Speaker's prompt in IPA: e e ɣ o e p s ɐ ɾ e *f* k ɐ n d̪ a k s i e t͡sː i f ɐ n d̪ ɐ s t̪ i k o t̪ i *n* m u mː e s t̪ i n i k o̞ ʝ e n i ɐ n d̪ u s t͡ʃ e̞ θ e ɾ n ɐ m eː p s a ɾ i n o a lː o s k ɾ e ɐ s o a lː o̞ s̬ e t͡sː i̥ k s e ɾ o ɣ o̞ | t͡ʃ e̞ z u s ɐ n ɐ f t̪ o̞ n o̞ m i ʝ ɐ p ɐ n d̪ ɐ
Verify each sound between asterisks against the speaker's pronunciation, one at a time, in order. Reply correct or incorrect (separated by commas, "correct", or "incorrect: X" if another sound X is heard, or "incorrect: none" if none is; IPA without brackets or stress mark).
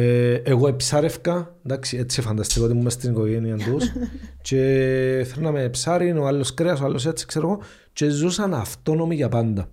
correct, incorrect: none